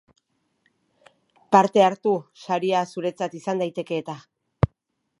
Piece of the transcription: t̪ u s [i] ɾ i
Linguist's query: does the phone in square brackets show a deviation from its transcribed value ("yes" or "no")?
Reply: yes